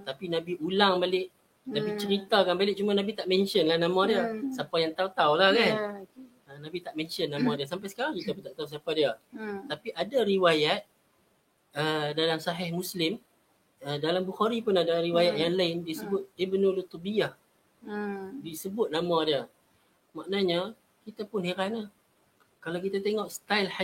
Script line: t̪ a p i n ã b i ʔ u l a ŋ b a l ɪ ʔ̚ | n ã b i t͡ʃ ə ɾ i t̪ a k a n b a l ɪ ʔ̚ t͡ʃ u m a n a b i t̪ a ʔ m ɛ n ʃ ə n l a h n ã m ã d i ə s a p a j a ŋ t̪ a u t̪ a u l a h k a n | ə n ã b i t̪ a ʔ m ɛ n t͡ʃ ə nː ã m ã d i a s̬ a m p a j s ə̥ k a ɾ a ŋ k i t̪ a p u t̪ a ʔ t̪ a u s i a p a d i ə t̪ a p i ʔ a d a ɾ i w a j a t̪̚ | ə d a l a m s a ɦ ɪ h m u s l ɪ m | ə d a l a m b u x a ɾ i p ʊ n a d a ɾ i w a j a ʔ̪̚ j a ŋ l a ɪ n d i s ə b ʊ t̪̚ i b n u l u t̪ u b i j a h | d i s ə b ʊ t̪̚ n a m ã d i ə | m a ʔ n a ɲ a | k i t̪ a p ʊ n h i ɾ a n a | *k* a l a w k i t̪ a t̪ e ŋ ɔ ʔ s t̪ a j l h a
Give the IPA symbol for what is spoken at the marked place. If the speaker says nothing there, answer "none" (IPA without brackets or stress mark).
k